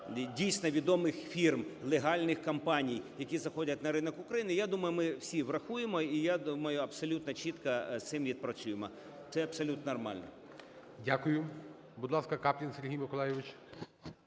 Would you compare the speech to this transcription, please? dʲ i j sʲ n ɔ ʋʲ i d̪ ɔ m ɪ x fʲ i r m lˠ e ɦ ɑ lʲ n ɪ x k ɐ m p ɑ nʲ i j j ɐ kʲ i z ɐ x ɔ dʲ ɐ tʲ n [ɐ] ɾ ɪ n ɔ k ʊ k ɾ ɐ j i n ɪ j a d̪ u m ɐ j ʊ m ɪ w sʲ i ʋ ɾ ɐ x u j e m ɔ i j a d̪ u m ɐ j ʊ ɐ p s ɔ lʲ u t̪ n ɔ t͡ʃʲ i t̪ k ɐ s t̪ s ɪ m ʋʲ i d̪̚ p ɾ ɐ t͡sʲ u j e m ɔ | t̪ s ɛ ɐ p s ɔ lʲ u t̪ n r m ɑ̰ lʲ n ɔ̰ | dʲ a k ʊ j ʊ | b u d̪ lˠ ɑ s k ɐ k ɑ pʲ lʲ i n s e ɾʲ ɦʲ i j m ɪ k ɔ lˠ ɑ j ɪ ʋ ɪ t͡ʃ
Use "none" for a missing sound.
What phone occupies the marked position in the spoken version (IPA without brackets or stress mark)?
ɐ